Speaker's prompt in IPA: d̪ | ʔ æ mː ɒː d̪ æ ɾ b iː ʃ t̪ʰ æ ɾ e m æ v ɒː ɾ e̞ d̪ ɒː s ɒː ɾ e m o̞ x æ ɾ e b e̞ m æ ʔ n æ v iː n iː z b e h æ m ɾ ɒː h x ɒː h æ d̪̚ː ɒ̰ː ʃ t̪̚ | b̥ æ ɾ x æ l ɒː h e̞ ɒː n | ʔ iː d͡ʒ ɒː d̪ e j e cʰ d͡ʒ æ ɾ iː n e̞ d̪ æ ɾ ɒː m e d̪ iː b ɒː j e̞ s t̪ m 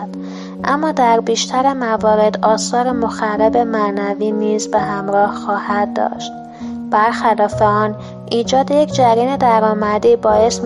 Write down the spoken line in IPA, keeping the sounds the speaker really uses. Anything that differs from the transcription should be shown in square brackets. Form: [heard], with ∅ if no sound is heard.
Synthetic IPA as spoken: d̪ | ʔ æ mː ɒː d̪ æ ɾ b iː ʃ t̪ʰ æ ɾ e m æ v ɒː ɾ e̞ d̪ ɒː s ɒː ɾ e m o̞ x æ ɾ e b e̞ m æ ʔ n æ v iː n iː z b e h æ m ɾ ɒː h x ɒː h æ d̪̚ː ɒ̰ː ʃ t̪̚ | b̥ æ ɾ x æ l ɒː [f] e̞ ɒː n | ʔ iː d͡ʒ ɒː d̪ e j e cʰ d͡ʒ æ ɾ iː n e̞ d̪ æ ɾ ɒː m [æ] d̪ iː b ɒː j e̞ s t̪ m